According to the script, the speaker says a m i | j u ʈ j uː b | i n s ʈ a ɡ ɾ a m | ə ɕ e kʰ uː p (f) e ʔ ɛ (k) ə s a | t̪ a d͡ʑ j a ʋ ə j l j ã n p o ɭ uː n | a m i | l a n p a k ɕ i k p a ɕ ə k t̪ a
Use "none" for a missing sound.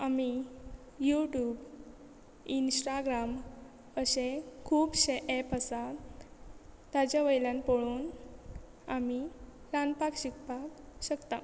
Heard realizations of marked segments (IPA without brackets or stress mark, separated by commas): ɕ, p